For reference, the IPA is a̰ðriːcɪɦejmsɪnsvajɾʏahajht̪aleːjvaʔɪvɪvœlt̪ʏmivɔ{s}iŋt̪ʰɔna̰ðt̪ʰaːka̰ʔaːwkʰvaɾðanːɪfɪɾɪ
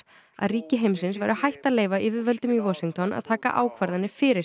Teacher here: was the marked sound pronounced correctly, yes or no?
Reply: yes